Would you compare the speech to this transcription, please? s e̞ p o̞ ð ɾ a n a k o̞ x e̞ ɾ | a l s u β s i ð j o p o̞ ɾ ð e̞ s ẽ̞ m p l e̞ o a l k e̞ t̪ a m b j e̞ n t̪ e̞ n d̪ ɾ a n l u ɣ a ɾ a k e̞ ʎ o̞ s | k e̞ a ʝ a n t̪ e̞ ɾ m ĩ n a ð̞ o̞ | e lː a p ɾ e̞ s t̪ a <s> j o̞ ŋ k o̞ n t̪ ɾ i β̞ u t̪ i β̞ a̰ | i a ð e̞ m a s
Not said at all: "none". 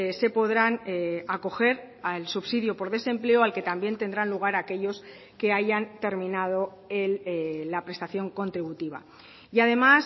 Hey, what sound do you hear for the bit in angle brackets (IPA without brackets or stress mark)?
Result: θ